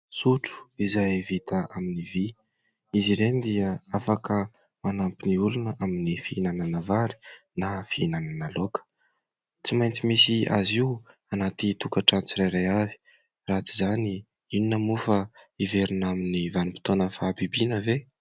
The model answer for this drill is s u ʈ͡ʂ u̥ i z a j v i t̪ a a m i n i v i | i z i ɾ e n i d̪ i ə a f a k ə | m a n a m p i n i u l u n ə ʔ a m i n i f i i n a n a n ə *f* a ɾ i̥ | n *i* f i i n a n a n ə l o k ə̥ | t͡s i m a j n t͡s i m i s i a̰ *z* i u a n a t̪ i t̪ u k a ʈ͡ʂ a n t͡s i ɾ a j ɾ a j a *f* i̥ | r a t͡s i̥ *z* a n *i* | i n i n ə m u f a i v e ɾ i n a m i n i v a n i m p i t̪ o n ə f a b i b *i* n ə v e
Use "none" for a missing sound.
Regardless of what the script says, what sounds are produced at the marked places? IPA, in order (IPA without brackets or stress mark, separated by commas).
v, a, z, v, z, i, i